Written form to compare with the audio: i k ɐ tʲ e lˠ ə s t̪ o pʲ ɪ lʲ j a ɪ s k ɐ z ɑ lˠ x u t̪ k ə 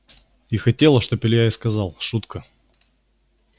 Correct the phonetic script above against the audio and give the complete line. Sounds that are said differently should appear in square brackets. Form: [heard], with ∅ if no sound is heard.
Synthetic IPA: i [x] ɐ tʲ e lˠ ə [ʂ] t̪ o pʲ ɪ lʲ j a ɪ s k ɐ z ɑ lˠ [ʂ] u t̪ k ə

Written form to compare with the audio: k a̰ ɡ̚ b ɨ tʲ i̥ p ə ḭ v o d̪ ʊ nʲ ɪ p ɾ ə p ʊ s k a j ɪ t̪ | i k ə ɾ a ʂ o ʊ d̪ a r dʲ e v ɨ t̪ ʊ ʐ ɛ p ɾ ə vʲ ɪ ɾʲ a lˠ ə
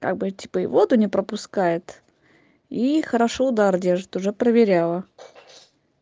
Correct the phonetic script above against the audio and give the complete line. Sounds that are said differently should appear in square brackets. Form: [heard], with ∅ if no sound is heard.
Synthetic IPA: k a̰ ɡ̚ b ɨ tʲ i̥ p ə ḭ v o d̪ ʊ nʲ ɪ p ɾ ə p ʊ s k a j ɪ t̪ | i [x] ə ɾ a ʂ o ʊ d̪ a r dʲ e [ʐ] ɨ t̪ ʊ ʐ ɛ p ɾ ə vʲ ɪ ɾʲ a lˠ ə

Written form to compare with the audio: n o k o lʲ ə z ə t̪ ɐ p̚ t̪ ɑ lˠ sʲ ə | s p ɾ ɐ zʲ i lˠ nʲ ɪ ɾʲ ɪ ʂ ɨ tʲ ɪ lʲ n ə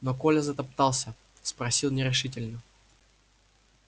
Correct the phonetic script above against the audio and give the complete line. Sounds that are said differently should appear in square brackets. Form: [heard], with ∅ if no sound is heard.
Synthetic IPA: n o k o lʲ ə z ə t̪ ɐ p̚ t̪ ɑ lˠ sʲ ə | s p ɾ ɐ [sʲ] i lˠ nʲ ɪ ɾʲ ɪ ʂ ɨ tʲ ɪ lʲ n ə

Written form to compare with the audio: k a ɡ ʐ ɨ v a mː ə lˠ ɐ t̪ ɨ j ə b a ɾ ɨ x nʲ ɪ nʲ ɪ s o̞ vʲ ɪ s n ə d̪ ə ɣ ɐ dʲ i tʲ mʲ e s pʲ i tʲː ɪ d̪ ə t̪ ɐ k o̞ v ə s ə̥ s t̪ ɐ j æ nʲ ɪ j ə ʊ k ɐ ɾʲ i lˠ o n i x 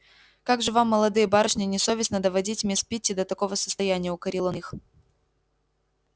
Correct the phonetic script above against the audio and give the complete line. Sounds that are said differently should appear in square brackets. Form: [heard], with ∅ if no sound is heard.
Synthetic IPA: k a ɡ ʐ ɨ v a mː ə lˠ ɐ [d̪] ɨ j ə b a ɾ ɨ [ʂ] nʲ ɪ nʲ ɪ s o̞ vʲ ɪ s n ə d̪ ə [v] ɐ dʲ i tʲ mʲ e s pʲ i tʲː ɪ d̪ ə t̪ ɐ k o̞ v ə s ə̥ s t̪ ɐ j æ nʲ ɪ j ə ʊ k ɐ ɾʲ i lˠ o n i x

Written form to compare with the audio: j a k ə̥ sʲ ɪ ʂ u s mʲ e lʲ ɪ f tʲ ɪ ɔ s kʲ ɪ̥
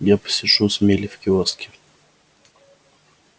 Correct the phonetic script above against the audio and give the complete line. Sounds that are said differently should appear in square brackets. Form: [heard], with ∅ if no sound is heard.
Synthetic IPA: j a [p] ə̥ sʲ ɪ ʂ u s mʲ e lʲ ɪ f [kʲ] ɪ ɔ s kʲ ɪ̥

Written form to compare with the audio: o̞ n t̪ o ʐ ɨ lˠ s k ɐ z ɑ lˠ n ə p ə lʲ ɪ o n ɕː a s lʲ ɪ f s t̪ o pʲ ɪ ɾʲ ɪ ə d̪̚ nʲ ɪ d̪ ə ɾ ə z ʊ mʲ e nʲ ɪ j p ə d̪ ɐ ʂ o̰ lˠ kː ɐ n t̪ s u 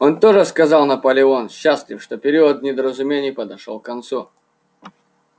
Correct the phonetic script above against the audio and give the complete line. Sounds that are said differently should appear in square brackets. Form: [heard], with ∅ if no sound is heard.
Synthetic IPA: o̞ n t̪ o ʐ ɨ [∅] s k ɐ z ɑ lˠ n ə p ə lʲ ɪ o n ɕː a s lʲ ɪ f [ʂ] t̪ o pʲ ɪ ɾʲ [i] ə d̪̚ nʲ ɪ d̪ ə ɾ ə z ʊ mʲ e nʲ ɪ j p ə d̪ ɐ ʂ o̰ lˠ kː ɐ n t̪ s u

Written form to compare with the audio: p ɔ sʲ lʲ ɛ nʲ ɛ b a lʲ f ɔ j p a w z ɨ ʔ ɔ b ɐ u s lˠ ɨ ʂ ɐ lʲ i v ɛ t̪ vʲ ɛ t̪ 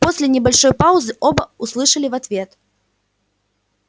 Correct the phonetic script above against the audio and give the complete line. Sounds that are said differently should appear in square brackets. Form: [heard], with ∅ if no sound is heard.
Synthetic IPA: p ɔ sʲ lʲ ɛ nʲ ɛ b a lʲ [ʂ] ɔ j p a w z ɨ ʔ ɔ b ɐ u s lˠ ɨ ʂ ɐ lʲ i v [a] t̪ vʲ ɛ t̪

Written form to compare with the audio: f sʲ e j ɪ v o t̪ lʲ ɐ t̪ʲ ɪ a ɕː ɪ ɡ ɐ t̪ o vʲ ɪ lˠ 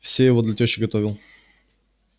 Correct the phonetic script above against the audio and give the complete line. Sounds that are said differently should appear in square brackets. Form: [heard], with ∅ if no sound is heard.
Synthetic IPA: f sʲ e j ɪ v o [d̪] lʲ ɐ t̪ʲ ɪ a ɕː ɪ ɡ ɐ t̪ o vʲ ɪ lˠ

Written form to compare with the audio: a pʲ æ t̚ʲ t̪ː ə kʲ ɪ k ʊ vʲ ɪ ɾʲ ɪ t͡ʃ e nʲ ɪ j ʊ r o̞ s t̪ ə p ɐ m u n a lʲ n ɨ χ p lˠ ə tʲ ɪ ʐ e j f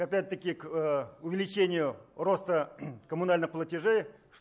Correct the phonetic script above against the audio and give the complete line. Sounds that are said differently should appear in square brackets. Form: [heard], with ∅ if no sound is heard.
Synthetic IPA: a pʲ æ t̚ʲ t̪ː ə kʲ ɪ k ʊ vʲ ɪ [lʲ] ɪ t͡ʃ e nʲ ɪ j ʊ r o̞ s t̪ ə [k] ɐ m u n a lʲ n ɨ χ p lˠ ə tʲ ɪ ʐ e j [ʂ]

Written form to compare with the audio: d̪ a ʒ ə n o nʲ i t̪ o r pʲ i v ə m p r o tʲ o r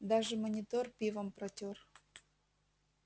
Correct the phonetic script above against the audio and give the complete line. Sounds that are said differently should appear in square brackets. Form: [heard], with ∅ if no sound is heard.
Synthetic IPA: d̪ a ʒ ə [m] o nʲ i t̪ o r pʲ i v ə m p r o tʲ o r

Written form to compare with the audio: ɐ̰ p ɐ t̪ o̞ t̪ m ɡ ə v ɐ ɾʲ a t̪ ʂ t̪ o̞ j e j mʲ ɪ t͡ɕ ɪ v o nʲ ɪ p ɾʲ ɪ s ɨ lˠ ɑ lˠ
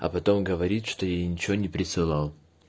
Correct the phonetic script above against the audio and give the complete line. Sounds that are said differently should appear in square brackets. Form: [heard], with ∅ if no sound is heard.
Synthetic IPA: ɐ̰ p ɐ t̪ o̞ [∅] m ɡ ə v ɐ ɾʲ [i] t̪ ʂ t̪ o̞ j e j [nʲ] ɪ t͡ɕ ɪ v o nʲ ɪ p ɾʲ ɪ s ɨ lˠ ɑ lˠ

